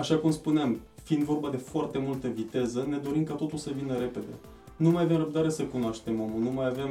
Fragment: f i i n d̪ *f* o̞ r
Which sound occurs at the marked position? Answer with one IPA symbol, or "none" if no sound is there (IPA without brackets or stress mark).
v